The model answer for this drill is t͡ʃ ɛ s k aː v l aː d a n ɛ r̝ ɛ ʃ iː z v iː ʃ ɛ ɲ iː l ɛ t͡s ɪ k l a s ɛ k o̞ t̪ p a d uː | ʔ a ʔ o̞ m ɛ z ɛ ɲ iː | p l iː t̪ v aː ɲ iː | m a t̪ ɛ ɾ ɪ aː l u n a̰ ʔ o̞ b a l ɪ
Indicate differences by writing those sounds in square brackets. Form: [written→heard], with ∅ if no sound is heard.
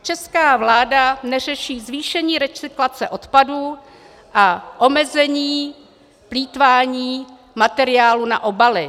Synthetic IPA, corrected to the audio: t͡ʃ ɛ s k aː v l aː d a n ɛ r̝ ɛ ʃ iː z v iː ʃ ɛ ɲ iː [l→ɾ] ɛ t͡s ɪ k l a [s→t͡s] ɛ [k→ʔ] o̞ t̪ p a d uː | ʔ a ʔ o̞ m ɛ z ɛ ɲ iː | p l iː t̪ v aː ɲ iː | m a t̪ ɛ ɾ ɪ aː l u n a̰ ʔ o̞ b a l ɪ